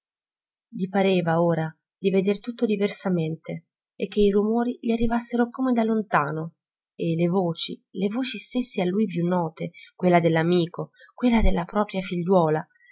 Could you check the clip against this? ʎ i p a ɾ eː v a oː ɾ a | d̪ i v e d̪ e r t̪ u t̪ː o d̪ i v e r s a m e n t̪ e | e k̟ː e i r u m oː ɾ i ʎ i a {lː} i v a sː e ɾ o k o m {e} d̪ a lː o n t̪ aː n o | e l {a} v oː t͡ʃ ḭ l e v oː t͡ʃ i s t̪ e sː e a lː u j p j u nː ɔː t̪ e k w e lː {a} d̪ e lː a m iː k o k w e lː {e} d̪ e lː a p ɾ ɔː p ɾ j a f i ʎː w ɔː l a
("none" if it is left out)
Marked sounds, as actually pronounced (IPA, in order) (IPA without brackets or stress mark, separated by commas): rː, e, e, a, a